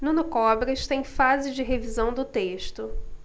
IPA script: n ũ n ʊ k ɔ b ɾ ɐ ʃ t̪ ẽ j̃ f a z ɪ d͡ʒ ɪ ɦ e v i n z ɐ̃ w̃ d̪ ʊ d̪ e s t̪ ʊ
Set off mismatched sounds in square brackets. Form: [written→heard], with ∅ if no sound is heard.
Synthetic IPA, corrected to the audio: n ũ n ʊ k ɔ b ɾ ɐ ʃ t̪ ẽ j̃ f a z ɪ d͡ʒ ɪ ɦ e v i [n→∅] z ɐ̃ w̃ d̪ ʊ [d̪→t̪] e [s→ʃ] t̪ ʊ